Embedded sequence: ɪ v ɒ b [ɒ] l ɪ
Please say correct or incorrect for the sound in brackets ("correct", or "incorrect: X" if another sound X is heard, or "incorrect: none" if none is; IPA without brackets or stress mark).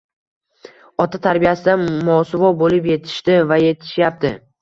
incorrect: o